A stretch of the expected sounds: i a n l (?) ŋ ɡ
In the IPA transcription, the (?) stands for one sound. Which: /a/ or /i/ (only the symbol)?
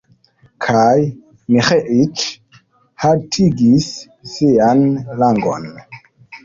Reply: a